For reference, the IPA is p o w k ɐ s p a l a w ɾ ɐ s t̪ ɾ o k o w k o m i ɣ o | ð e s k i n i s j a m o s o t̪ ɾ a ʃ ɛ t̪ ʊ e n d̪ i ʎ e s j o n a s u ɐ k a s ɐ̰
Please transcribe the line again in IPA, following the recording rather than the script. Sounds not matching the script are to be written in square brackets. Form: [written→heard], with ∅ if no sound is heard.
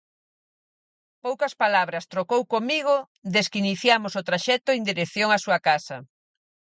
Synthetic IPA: p o w k ɐ s p a l a [w→β] ɾ ɐ s t̪ ɾ o k o w k o m i ɣ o | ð e s k i n i [s→θ] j a m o s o t̪ ɾ a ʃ ɛ t̪ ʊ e n d̪ i [ʎ→ɾ] e [s→θ] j o [n→ŋ] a s u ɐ k a s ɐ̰